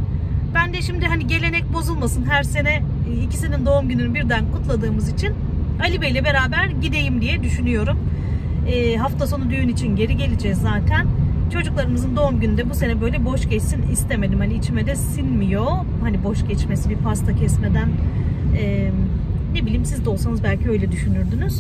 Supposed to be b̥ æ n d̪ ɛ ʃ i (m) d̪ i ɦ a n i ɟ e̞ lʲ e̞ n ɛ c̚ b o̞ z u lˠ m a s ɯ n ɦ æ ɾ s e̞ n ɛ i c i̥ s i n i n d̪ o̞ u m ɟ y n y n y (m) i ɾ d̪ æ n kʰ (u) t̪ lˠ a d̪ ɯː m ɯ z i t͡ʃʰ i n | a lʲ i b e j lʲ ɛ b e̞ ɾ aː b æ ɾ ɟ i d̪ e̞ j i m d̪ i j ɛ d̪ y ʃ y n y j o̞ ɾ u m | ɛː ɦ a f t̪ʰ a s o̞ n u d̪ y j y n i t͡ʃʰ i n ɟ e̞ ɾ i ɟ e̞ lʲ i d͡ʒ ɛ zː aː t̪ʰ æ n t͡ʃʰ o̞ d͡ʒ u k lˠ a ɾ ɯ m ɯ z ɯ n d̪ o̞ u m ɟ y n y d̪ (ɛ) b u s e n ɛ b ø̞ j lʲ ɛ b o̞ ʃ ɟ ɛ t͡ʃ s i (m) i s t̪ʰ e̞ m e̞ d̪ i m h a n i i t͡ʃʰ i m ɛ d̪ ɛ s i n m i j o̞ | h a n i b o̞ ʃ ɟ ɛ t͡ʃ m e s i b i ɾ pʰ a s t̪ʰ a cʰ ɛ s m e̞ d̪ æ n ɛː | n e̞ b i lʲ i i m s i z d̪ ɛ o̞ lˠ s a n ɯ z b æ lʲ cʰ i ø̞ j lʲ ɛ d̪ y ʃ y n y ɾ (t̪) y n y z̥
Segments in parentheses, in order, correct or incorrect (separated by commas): correct, incorrect, correct, correct, incorrect, incorrect